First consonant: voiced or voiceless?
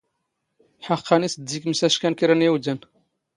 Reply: voiceless